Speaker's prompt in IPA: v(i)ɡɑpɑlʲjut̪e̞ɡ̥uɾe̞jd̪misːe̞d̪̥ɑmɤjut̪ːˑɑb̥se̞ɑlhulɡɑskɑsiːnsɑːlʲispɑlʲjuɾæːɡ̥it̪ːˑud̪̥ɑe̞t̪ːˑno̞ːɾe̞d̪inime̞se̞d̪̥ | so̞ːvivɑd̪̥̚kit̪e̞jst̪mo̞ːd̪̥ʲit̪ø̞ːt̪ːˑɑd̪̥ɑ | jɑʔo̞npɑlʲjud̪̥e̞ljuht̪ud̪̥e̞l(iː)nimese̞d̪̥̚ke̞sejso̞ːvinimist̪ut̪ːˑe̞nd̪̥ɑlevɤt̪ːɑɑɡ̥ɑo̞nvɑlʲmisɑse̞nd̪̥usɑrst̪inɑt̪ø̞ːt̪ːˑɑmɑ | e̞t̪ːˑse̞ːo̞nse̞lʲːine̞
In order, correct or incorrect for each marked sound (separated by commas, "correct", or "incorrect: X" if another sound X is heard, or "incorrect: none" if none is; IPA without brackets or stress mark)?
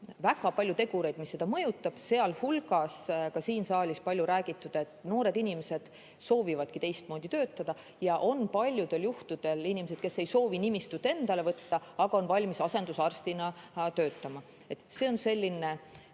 incorrect: æ, incorrect: i